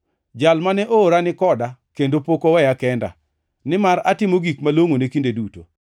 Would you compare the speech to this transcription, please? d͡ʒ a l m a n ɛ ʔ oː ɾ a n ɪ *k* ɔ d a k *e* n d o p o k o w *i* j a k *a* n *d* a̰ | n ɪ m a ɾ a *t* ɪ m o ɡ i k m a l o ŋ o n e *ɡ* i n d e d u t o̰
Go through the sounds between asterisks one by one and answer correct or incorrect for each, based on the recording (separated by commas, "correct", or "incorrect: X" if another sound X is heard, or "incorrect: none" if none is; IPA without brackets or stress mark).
correct, correct, incorrect: ɛ, incorrect: ɛ, correct, correct, incorrect: k